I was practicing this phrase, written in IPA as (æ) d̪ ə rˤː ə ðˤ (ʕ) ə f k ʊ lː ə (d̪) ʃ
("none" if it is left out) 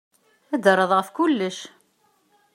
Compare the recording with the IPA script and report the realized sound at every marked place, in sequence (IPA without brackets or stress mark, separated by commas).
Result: æ, ʁ, none